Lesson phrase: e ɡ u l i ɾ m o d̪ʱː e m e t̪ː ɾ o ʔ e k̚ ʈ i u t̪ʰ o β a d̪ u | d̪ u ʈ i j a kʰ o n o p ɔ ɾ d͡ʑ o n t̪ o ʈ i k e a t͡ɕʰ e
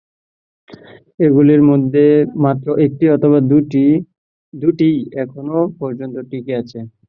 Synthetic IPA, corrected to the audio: e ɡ u l i ɾ m o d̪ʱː e m a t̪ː ɾ o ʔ e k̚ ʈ i ɔ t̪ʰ o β a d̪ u | d̪ u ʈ i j ɛ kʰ o n o p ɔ ɾ d͡ʑ o n t̪ o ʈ i k e a t͡ɕʰ e